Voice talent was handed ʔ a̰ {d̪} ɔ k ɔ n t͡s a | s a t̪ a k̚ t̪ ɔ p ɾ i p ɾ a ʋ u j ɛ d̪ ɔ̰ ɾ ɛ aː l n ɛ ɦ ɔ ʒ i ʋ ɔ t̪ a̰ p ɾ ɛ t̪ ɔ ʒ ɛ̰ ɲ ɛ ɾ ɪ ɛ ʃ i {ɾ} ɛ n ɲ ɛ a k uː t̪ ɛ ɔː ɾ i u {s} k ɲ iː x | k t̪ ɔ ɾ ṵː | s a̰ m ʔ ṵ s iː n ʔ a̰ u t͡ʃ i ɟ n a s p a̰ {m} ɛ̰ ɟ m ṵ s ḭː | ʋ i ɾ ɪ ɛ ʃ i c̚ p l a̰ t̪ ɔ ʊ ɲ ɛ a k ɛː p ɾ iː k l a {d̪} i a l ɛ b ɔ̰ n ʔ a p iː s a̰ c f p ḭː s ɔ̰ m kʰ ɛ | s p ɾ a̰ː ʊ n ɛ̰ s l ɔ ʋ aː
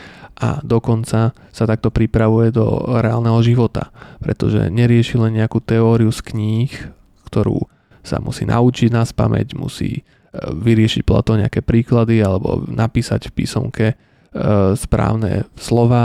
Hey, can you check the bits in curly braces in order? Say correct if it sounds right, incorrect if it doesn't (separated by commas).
correct, incorrect, correct, correct, correct